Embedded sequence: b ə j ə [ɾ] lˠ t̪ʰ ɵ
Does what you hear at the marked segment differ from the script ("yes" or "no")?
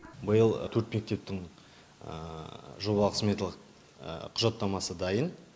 yes